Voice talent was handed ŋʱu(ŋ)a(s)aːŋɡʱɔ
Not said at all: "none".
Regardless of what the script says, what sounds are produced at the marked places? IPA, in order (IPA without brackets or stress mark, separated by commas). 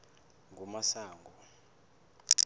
m, s